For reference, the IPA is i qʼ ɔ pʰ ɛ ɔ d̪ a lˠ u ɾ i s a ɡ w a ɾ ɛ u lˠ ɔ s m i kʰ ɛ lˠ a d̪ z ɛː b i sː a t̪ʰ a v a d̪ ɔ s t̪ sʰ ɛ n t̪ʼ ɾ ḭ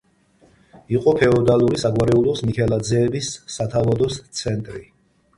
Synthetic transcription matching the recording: i qʼ ɔ pʰ ɛ ɔ d̪ a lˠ u ɾ i s a ɡ w a ɾ ɛ u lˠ ɔ s m i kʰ ɛ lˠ a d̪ z ɛː b i sː a t̪ʰ a v a d̪ ɔ s t̪ sʰ ɛ n t̪ʼ ɾ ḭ